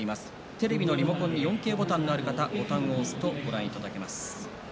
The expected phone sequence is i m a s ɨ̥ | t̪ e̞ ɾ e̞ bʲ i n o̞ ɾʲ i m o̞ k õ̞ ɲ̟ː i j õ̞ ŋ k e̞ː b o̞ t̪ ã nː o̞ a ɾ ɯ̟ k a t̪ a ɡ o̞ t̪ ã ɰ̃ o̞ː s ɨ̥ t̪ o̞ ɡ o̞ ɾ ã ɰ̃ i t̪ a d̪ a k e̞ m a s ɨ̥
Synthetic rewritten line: i m a s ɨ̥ | t̪ e̞ ɾ e̞ bʲ i n o̞ ɾʲ i m o̞ k õ̞ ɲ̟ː i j õ̞ ŋ k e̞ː b o̞ t̪ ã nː o̞ a ɾ ɯ̟ k a t̪ a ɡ o̞ t̪ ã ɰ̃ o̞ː s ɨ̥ t̪ o̞ ɡ o̞ ɾ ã ɰ̃ i t̪ a d̪ a k e̞ m a s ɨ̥